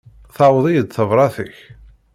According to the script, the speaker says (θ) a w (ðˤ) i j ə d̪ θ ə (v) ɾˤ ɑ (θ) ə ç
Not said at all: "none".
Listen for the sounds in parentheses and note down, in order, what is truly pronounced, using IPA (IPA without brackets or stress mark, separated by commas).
θ, ðˤ, v, θ